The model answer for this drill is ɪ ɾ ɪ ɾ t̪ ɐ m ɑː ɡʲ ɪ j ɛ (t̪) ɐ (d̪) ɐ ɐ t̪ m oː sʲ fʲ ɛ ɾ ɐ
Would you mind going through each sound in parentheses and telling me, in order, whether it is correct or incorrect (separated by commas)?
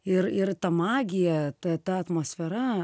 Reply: correct, incorrect